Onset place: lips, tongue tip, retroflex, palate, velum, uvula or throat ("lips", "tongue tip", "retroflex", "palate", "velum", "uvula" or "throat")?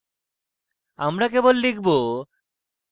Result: lips